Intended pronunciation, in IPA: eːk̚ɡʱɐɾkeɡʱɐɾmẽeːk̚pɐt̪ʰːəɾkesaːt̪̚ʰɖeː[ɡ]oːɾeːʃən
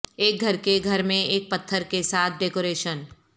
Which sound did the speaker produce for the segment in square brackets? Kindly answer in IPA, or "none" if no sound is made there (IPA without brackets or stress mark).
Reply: k